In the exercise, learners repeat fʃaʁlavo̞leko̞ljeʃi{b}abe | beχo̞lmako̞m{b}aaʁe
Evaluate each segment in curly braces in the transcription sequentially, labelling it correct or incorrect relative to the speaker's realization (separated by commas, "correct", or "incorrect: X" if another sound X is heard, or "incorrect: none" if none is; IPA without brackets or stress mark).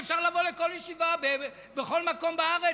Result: incorrect: v, correct